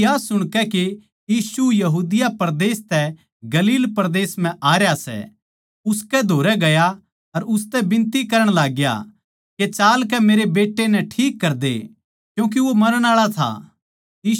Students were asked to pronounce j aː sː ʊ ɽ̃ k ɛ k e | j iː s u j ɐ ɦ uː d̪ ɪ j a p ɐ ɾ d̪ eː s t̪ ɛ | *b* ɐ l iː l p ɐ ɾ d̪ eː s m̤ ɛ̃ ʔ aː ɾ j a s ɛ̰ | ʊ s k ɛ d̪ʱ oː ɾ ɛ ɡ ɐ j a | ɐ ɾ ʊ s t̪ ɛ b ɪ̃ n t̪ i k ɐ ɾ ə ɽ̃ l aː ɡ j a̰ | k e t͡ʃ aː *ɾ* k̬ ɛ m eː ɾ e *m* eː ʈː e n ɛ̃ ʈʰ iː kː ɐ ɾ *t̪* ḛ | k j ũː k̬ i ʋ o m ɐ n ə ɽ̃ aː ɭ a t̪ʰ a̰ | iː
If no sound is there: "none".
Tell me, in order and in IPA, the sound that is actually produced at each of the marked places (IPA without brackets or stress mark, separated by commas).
ɡ, l, b, d̪